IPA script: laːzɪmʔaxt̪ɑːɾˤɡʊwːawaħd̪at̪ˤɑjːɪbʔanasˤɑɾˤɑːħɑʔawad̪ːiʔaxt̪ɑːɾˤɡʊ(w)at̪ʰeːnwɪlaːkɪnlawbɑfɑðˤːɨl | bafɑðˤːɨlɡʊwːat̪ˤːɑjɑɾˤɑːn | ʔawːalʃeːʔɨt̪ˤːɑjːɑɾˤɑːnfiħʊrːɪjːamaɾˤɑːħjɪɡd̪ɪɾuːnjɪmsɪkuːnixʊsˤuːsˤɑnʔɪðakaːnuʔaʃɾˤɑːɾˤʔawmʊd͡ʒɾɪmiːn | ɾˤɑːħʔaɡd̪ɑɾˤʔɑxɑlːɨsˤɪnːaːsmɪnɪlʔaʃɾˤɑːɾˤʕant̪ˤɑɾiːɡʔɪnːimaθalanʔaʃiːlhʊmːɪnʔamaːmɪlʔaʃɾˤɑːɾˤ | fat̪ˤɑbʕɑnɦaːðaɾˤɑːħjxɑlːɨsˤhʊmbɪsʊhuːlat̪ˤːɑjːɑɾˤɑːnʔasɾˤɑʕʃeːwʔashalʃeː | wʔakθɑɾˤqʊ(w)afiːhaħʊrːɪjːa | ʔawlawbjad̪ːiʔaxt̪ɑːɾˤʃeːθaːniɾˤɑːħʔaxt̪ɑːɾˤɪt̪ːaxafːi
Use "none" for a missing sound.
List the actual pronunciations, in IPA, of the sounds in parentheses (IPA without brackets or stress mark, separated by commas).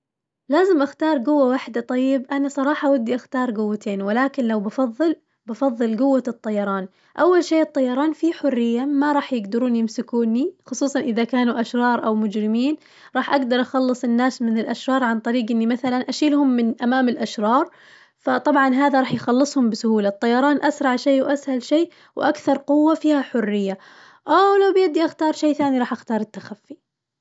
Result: wː, wː